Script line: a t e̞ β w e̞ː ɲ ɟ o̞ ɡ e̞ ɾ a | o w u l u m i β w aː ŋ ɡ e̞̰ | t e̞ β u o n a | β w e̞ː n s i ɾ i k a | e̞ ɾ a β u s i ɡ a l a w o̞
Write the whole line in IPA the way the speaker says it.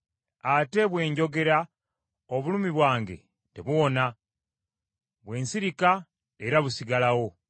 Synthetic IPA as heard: a t e̞ β w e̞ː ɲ ɟ o̞ ɡ e̞ ɾ a | o β u l u m i β w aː ŋ ɡ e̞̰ | t e̞ β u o n a | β w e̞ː n s i ɾ i k a | e̞ ɾ a β u s i ɡ a l a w o̞